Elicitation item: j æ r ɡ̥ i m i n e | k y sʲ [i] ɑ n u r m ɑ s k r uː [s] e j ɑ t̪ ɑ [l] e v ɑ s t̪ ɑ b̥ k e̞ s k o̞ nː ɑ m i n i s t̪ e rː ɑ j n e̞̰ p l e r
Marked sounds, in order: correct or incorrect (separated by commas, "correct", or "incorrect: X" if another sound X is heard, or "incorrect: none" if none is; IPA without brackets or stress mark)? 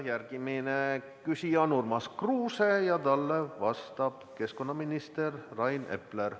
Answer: correct, correct, incorrect: lː